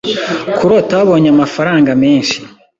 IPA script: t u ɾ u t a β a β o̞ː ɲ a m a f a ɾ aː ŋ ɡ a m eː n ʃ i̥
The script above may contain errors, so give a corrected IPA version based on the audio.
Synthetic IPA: k u ɾ o t a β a β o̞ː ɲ a m a f a ɾ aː ŋ ɡ a m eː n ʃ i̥